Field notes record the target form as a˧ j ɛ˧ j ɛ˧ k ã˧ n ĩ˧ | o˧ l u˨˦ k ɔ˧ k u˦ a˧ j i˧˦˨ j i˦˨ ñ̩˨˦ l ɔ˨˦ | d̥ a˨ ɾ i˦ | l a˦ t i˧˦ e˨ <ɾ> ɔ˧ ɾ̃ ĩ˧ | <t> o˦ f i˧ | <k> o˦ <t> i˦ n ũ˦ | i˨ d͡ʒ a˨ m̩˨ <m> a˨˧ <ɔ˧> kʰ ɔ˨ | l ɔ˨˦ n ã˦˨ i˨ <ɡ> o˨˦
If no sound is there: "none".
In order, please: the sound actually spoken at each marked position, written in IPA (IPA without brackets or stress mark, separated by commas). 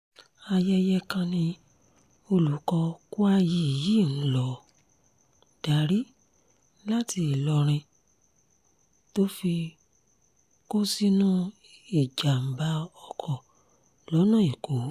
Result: l, t, k, s, b, ɔ˧, k